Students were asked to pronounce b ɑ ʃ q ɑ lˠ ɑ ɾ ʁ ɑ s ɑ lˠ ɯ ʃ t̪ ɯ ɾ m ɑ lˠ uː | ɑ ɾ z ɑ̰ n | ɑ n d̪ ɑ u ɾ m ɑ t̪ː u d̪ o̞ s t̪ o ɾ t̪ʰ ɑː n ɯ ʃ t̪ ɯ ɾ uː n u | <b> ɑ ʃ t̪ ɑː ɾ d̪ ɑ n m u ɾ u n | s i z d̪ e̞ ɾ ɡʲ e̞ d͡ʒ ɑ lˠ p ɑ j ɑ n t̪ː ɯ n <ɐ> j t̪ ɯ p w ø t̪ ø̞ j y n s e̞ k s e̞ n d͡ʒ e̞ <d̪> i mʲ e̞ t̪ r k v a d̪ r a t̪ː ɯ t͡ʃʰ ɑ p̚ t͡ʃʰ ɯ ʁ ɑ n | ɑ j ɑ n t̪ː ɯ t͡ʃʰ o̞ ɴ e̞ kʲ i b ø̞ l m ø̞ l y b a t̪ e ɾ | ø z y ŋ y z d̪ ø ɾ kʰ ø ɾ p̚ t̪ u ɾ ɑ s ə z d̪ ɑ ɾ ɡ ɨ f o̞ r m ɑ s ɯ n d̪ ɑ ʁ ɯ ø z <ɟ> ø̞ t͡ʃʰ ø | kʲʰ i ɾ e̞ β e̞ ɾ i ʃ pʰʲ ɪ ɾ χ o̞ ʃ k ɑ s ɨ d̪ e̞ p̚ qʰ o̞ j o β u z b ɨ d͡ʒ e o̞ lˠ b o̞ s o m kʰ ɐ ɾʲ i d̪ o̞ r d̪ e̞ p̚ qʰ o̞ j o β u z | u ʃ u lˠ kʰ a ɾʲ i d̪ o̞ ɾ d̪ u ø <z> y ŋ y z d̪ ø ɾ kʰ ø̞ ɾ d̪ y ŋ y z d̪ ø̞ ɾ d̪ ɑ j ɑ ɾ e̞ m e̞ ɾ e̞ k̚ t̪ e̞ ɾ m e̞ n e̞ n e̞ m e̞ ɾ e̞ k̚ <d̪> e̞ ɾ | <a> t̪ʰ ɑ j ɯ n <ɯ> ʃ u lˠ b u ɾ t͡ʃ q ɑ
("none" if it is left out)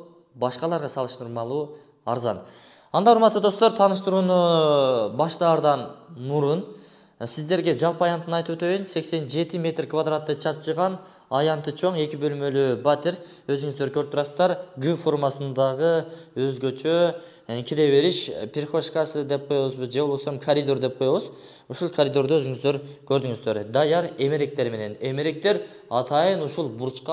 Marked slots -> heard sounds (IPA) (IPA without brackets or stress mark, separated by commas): b, ɑ, t̪, ɡ, z, t̪, ɑ, u